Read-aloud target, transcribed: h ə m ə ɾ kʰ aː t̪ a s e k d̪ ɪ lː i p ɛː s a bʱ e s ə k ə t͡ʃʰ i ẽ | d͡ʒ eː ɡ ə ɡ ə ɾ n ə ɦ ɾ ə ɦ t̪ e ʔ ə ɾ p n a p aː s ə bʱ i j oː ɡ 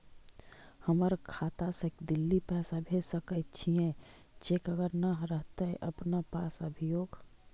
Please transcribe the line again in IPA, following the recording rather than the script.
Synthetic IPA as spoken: h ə m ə ɾ kʰ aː t̪ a s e k d̪ ɪ lː i p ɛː s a bʱ e s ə k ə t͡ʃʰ i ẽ | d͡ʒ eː k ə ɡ ə ɾ n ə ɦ ɾ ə ɦ t̪ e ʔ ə p n a p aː s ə bʱ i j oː ɡ